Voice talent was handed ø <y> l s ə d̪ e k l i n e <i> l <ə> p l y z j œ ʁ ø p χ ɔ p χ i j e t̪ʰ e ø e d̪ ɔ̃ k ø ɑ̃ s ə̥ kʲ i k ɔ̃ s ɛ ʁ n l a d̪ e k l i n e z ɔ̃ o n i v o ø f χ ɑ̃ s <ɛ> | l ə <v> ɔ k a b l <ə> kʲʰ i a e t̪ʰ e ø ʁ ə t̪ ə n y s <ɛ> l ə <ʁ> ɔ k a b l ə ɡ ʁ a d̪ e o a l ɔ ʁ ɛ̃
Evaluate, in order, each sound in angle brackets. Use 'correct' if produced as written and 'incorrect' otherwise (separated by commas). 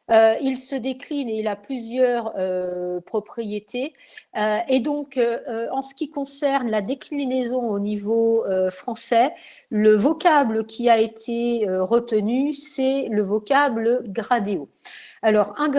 incorrect, correct, incorrect, correct, correct, correct, correct, incorrect